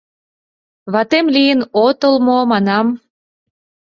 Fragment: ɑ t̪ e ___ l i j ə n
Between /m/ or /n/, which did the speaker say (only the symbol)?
m